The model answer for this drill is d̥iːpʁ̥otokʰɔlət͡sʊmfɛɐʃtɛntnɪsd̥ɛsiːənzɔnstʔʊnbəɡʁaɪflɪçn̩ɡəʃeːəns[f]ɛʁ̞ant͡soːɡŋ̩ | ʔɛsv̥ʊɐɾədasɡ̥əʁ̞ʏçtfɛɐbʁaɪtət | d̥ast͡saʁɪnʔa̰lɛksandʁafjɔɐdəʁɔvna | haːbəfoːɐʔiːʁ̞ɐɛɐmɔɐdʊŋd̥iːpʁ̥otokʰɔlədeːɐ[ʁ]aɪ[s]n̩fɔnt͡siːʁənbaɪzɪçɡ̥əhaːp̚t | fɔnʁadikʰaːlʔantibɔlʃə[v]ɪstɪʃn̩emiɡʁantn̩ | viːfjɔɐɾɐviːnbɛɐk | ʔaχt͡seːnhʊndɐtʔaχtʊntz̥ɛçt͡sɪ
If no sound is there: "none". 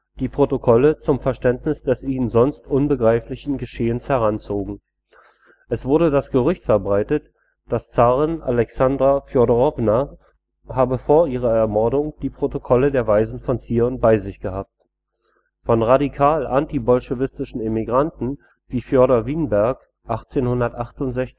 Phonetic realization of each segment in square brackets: h, v, z, v

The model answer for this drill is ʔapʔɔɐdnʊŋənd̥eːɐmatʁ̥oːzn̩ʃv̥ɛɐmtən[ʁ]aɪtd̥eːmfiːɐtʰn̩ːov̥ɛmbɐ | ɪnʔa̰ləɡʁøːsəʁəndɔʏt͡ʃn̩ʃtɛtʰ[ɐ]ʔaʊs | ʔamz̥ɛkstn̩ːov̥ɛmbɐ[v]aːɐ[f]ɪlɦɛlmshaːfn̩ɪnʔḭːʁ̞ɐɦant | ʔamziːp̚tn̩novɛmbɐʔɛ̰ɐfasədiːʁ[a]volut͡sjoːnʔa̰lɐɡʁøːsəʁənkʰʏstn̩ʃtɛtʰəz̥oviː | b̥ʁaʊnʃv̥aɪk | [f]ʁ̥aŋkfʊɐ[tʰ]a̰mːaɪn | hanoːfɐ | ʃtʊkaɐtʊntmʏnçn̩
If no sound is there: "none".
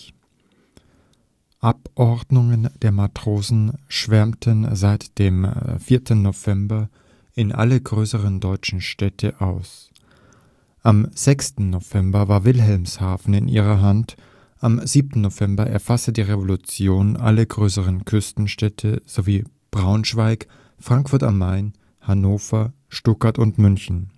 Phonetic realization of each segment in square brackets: z, ə, v, v, e, f, t

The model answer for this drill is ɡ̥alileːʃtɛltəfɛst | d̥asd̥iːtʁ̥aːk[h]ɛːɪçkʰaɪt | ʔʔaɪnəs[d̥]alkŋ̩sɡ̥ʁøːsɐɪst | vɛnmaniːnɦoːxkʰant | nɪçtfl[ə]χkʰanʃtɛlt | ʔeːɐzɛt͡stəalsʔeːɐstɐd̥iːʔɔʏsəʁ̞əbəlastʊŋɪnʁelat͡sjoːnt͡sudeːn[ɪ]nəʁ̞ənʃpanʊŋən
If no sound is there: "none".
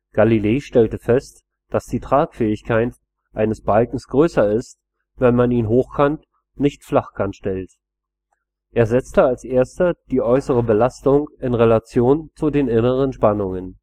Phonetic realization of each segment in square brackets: f, b̥, a, ɪ

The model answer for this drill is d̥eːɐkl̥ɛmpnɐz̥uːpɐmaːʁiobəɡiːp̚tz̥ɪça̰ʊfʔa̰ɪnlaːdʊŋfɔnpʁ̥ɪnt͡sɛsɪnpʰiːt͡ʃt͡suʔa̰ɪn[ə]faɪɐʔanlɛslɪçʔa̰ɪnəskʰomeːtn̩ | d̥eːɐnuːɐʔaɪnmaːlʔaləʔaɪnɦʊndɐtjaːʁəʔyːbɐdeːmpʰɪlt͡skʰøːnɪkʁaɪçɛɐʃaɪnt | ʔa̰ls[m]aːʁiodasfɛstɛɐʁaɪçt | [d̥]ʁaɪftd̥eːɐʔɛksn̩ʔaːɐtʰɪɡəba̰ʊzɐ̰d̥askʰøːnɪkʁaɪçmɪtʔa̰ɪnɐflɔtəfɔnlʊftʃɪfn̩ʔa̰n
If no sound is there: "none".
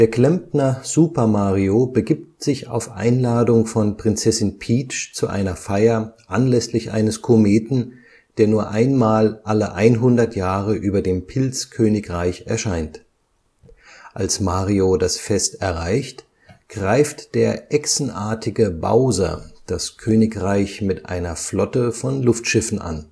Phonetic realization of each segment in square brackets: ɐ, m, ɡ̥

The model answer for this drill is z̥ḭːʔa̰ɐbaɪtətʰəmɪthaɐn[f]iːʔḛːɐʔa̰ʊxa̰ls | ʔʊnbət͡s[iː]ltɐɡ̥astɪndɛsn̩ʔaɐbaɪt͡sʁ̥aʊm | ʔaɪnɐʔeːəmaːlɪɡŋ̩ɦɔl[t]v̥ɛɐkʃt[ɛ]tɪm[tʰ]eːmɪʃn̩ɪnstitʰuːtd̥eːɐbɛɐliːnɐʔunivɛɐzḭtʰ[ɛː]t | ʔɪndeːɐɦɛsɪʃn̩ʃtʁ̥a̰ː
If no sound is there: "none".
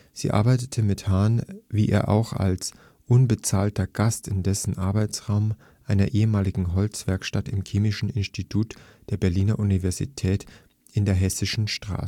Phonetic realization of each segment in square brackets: v, aː, t͡s, a, kʰ, ɛː

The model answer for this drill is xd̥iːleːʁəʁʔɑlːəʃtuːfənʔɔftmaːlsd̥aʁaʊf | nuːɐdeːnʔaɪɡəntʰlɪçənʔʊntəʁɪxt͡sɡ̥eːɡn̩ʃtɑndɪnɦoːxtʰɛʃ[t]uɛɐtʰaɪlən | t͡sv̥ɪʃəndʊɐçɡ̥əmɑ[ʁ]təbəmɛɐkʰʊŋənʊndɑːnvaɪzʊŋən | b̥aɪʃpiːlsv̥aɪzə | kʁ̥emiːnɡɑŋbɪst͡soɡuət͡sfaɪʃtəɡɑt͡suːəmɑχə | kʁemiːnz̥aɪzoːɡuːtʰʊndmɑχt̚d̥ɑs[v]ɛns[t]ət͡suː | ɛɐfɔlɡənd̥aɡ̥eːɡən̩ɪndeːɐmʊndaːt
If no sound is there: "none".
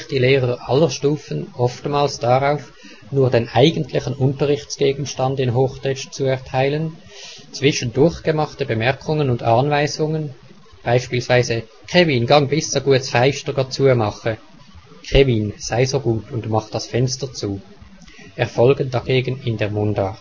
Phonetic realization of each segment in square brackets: t͡s, χ, f, t

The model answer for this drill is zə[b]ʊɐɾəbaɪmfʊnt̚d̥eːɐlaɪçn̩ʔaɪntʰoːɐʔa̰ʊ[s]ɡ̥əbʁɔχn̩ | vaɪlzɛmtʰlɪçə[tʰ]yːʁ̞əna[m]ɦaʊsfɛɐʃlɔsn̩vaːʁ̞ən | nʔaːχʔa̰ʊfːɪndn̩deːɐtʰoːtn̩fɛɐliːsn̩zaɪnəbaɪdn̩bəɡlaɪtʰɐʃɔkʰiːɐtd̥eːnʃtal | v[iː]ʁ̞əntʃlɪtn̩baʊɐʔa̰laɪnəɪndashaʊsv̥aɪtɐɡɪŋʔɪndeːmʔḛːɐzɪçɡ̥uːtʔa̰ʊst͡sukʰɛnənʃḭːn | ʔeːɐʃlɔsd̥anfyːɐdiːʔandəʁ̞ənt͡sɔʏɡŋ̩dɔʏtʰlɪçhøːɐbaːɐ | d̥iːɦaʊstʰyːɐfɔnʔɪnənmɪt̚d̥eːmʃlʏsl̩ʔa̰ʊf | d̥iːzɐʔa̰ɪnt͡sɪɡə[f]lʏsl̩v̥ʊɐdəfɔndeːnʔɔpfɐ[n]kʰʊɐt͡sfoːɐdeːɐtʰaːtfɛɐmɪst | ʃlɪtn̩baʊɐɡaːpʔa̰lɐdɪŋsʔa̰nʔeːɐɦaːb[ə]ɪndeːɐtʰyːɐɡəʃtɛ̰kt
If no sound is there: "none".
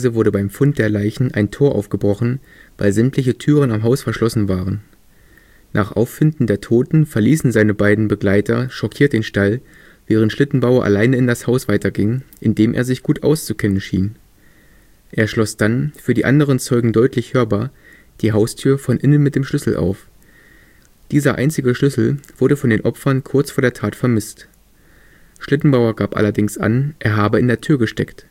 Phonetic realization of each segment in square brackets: v, f, tʰ, m, ɛː, ʃ, n, ə

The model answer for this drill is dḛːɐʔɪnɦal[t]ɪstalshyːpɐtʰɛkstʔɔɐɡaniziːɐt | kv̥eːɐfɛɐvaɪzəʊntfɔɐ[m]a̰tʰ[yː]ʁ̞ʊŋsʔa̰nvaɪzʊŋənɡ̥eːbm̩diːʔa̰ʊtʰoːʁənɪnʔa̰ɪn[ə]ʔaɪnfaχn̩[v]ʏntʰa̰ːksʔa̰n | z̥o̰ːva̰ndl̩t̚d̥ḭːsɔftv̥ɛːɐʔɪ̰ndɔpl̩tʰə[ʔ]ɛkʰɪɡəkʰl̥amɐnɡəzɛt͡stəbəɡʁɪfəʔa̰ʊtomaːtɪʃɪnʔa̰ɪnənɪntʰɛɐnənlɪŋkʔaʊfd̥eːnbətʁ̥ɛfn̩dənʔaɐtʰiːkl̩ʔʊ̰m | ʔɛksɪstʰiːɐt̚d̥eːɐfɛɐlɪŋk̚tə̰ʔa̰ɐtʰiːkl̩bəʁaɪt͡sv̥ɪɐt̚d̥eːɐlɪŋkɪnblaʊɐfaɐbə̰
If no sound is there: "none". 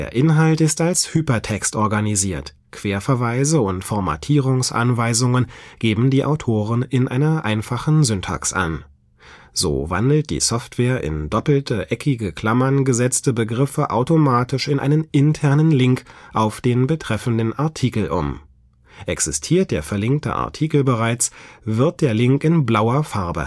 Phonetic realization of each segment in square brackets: t, m, iː, ɐ, z, ʔ

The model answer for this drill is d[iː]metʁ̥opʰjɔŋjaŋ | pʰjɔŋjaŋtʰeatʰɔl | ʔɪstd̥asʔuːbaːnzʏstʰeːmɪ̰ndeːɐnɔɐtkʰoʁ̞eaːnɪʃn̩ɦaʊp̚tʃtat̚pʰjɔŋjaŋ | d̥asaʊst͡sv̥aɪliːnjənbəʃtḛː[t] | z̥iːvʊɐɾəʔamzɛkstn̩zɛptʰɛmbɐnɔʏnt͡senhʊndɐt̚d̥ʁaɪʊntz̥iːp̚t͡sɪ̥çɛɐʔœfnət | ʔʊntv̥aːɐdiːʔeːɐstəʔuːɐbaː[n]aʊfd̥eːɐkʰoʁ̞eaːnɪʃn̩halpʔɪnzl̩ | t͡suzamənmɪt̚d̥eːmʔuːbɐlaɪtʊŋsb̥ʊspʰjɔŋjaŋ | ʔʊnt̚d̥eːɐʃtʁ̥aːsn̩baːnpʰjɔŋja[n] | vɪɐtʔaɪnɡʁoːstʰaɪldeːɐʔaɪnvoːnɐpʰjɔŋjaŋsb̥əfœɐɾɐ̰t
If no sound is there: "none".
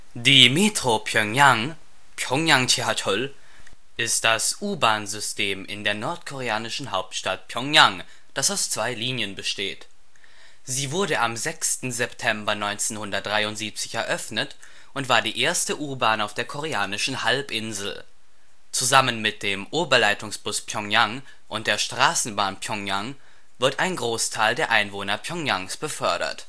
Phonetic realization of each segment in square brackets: iː, t, n, ŋ

